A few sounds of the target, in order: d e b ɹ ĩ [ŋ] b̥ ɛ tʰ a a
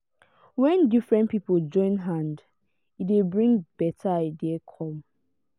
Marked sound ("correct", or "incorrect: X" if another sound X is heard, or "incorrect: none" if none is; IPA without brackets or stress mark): correct